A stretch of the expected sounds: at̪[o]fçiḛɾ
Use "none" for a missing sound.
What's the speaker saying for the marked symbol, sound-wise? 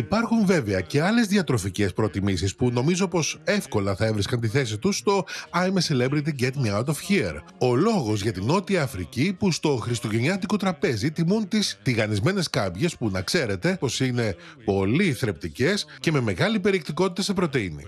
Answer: o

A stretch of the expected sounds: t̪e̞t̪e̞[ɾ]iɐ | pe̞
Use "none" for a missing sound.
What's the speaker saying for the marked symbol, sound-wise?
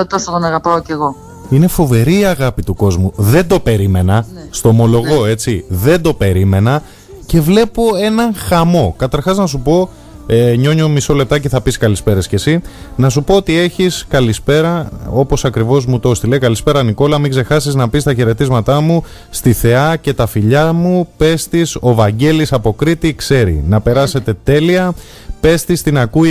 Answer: l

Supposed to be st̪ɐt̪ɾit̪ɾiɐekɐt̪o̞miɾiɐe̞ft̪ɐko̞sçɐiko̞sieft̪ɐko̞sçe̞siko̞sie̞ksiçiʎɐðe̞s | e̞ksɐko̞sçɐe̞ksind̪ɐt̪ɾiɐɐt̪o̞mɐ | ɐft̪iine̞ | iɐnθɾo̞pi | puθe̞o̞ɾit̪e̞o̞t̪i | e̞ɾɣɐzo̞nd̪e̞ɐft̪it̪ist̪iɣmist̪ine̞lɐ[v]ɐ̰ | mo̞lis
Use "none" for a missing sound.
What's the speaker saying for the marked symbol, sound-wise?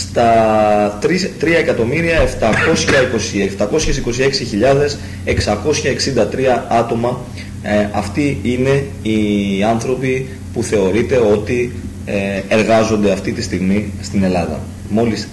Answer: ð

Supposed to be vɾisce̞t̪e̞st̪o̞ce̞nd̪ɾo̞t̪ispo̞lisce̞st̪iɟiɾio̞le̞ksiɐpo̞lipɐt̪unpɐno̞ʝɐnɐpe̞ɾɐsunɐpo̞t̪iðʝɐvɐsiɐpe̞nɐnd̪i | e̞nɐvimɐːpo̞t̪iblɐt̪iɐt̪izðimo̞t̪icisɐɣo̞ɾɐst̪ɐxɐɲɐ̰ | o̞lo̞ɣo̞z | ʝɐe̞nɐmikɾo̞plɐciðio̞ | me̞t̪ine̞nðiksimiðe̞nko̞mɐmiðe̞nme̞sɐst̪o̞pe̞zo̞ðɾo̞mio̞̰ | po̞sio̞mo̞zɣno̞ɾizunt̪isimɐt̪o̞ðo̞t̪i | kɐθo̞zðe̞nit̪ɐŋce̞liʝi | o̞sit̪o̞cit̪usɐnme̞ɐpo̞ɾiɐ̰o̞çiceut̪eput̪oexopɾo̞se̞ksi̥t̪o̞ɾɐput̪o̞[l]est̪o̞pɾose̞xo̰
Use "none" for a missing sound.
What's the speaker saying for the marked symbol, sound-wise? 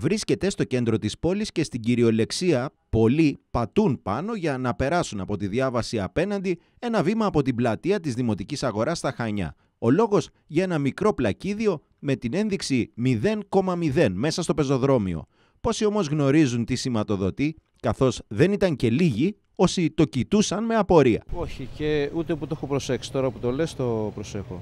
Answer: l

